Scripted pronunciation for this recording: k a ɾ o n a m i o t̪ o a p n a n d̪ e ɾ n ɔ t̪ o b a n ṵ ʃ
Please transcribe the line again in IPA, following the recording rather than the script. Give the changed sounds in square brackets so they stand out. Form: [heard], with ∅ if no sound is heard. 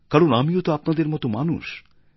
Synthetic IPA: k a ɾ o n a m i o t̪ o a p n a [∅] d̪ e ɾ [m] ɔ t̪ o [m] a n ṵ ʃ